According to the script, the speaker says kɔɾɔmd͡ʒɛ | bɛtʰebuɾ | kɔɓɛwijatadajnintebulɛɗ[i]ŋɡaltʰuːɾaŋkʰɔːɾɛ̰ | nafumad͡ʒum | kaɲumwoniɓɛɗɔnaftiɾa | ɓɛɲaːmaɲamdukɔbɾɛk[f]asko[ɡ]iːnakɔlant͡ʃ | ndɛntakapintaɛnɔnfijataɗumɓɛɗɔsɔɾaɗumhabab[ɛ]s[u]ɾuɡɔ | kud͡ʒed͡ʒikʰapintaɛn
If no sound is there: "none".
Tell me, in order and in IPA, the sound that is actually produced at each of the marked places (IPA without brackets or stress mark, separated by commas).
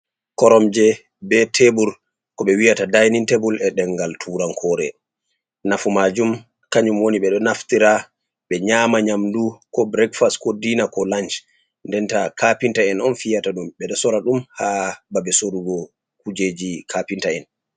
ɛ, f, d, ɛ, o